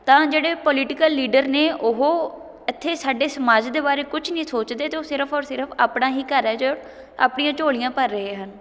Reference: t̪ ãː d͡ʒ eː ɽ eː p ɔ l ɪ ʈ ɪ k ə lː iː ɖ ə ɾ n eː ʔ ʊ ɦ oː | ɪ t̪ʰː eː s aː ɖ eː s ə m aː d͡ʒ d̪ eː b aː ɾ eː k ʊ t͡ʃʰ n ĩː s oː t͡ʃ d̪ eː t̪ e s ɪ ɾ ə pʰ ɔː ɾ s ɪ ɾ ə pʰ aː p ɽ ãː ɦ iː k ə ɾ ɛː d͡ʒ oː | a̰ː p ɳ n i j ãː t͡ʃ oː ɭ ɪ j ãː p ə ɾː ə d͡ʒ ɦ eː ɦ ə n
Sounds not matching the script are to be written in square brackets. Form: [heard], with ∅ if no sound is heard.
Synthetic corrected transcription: t̪ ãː d͡ʒ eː ɽ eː p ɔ l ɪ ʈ ɪ k ə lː iː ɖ ə ɾ n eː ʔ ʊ ɦ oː | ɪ t̪ʰː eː s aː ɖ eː s ə m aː d͡ʒ d̪ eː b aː ɾ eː k ʊ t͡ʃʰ n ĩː s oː t͡ʃ d̪ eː t̪ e s ɪ ɾ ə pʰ ɔː ɾ s ɪ ɾ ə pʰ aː p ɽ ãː ɦ iː k ə ɾ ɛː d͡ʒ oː | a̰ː p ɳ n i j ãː t͡ʃ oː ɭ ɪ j ãː p ə ɾː ə [∅] ɦ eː ɦ ə n